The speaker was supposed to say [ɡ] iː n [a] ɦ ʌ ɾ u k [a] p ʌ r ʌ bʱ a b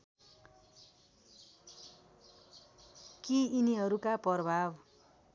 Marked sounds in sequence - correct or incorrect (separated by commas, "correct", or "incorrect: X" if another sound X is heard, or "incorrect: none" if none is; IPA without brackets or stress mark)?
incorrect: k, incorrect: i, correct